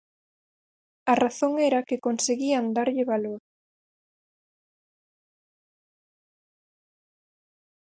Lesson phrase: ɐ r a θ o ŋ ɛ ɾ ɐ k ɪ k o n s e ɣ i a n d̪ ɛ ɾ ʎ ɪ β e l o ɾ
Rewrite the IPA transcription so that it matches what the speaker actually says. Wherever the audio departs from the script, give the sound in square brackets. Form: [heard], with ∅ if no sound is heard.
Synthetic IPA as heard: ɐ r a θ o ŋ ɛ ɾ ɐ k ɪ k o n s e ɣ i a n d̪ [a] ɾ ʎ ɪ β [a] l o ɾ